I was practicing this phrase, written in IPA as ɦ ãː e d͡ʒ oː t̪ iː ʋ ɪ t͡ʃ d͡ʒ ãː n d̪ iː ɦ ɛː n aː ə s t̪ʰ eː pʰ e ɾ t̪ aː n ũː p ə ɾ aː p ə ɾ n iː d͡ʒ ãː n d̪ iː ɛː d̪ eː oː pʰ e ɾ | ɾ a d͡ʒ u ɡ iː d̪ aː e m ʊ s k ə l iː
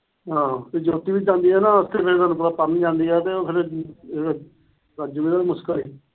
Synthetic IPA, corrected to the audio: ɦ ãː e d͡ʒ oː t̪ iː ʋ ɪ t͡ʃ d͡ʒ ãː n d̪ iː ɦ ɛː n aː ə s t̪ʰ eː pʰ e ɾ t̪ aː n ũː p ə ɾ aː p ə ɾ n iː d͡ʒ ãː n d̪ iː ɛː t̪ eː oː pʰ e ɾ | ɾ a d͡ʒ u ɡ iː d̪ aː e m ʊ s k ə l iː